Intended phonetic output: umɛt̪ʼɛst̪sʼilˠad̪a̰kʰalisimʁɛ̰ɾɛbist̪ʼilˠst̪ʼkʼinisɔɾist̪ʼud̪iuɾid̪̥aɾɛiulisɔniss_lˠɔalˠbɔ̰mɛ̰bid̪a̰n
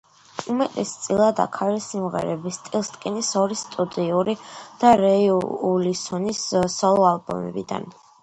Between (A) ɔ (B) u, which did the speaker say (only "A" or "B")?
A